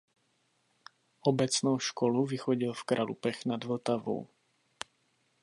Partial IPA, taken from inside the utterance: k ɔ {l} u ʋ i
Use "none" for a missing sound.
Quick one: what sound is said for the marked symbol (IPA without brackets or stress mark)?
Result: l